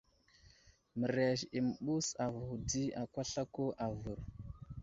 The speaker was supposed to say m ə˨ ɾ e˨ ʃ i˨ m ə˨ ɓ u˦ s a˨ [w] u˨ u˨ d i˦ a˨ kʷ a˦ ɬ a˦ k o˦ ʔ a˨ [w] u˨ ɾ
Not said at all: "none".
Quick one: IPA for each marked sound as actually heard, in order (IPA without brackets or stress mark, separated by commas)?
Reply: v, v